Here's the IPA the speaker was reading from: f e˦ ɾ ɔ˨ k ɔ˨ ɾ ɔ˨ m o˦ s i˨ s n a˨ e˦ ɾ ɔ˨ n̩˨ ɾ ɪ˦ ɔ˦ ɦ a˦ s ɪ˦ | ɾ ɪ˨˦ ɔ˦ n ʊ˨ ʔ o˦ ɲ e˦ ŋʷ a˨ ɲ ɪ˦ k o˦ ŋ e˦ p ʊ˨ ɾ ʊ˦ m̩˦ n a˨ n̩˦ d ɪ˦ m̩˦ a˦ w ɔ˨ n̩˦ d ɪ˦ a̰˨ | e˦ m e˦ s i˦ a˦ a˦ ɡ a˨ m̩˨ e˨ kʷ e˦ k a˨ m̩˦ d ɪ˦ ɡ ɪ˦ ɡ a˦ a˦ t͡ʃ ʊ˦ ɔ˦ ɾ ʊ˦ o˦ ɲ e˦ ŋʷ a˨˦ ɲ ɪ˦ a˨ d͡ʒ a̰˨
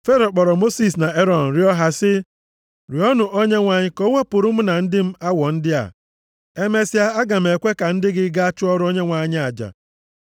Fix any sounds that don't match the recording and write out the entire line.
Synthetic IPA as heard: f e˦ ɾ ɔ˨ k͡p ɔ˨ ɾ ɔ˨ m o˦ s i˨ s n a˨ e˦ ɾ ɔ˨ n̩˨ ɾ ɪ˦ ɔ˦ ɦ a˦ s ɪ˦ | ɾ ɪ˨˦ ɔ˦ n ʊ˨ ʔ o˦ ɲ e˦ ŋʷ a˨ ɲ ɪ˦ k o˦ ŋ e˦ p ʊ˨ ɾ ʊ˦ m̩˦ n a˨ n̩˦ d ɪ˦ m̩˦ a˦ w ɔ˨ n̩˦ d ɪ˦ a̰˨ | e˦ m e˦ s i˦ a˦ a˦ ɡ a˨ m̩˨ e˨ kʷ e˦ k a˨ n̩˦ d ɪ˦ ɡ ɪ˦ ɡ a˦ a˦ t͡ʃ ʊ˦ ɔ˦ ɾ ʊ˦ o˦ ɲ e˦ ŋʷ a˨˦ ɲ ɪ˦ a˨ d͡ʒ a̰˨

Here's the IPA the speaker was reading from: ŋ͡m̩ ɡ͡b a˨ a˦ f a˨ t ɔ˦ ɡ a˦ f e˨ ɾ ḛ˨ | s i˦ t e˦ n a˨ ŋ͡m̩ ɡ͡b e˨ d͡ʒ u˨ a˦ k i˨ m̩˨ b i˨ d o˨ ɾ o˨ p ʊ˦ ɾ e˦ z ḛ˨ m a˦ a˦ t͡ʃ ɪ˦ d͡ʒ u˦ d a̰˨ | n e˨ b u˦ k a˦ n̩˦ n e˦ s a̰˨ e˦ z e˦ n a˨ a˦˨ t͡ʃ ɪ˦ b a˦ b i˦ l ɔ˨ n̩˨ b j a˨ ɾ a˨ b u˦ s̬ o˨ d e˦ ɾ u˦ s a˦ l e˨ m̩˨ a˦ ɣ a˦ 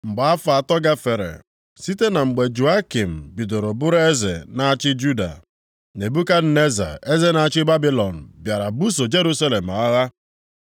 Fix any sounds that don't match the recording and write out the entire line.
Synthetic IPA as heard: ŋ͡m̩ ɡ͡b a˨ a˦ f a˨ t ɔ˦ ɡ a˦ f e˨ ɾ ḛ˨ | s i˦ t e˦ n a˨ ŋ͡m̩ ɡ͡b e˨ d͡ʒ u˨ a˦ k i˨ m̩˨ b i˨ d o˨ ɾ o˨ b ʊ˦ ɾ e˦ z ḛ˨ n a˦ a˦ t͡ʃ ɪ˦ d͡ʒ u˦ d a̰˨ | n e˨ b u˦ k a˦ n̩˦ n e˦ z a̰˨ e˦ z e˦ n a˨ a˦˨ t͡ʃ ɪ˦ b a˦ b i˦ l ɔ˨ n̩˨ b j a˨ ɾ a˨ b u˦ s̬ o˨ d͡ʒ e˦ ɾ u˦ s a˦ l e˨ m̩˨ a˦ ɣ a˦

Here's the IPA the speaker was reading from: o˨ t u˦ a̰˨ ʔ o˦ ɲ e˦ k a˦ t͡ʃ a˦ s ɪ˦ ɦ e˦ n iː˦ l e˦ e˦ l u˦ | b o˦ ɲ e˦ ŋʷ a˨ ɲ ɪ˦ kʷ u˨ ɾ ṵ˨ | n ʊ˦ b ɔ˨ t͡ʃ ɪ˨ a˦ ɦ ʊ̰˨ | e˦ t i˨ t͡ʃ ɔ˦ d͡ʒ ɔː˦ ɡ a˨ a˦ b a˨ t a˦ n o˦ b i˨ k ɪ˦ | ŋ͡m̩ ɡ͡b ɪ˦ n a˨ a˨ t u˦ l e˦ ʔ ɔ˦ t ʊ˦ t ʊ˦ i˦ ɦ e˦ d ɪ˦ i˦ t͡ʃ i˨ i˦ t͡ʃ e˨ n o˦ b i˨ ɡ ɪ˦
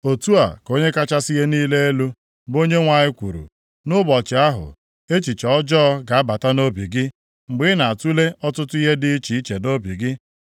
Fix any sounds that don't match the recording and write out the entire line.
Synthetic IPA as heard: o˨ t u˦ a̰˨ k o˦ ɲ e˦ k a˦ t͡ʃ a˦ s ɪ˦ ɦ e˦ n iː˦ l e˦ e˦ l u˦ | b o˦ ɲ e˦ ŋʷ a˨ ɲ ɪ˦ kʷ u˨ ɾ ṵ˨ | n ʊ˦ b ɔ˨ t͡ʃ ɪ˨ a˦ ɦ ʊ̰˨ | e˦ t͡ʃ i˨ t͡ʃ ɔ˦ d͡ʒ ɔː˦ ɡ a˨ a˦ b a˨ t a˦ n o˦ b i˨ ɡ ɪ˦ | ŋ͡m̩ ɡ͡b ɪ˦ n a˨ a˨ t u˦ l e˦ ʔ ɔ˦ t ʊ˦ t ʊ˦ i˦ ɦ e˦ d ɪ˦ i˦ t͡ʃ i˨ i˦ t͡ʃ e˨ n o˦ b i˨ ɡ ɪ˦

